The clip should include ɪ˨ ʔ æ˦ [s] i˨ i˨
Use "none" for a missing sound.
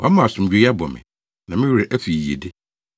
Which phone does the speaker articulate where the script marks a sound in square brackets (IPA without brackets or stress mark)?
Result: f